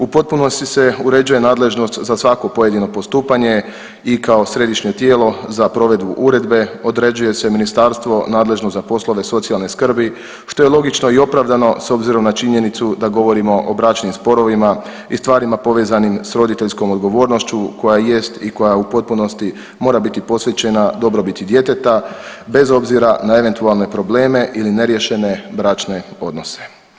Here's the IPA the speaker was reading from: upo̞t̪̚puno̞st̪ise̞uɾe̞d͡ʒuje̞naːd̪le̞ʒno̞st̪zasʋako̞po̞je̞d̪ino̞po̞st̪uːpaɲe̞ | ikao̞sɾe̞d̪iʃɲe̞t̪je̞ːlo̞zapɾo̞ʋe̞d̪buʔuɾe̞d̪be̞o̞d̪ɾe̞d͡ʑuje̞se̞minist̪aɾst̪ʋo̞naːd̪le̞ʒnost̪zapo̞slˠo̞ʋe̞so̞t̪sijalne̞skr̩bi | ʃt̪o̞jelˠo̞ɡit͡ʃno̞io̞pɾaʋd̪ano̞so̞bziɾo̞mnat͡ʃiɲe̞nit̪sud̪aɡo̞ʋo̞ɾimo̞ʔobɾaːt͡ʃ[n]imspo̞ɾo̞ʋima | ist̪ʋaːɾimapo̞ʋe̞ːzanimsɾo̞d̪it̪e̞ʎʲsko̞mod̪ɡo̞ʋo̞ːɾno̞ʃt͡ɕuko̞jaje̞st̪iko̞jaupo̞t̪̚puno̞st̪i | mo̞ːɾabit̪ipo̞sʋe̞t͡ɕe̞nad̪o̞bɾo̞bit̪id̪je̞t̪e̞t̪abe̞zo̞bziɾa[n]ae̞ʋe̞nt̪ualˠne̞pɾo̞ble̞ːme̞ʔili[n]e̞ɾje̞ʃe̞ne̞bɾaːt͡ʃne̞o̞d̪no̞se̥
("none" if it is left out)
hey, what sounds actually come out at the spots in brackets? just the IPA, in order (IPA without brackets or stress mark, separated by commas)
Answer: n, n, n